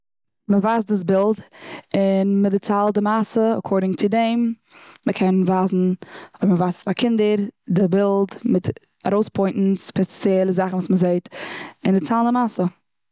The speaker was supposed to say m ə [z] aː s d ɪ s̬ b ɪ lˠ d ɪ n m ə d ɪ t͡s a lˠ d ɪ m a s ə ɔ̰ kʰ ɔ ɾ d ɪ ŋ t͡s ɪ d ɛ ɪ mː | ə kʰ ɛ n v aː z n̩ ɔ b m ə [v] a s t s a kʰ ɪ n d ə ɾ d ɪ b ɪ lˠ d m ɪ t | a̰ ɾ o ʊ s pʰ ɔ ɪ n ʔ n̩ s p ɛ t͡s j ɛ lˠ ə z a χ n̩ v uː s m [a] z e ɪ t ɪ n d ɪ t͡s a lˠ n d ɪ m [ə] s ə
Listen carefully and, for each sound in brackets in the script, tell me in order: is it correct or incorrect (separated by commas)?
incorrect, correct, incorrect, incorrect